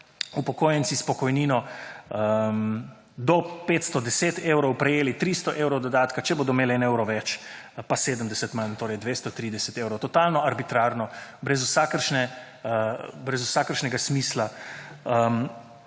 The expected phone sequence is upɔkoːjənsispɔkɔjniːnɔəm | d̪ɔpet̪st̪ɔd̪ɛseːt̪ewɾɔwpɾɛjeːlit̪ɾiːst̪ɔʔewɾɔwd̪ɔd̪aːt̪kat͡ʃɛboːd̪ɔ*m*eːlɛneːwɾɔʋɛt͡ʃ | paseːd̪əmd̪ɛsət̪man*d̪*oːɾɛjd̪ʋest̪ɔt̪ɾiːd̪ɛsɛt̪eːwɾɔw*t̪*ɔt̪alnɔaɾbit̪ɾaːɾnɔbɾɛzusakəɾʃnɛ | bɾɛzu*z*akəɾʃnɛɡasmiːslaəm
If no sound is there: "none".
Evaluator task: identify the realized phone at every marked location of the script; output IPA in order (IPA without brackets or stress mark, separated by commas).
m, t̪, t̪, s